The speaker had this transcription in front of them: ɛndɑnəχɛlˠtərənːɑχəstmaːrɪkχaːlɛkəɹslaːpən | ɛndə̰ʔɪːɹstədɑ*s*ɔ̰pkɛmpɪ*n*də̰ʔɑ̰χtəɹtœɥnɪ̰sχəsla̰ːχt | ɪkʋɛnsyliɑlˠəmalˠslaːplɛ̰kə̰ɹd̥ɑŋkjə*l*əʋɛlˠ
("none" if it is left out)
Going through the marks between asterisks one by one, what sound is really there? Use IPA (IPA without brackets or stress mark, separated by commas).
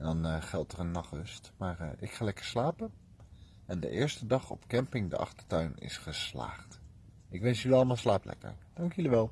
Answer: χ, ŋ, l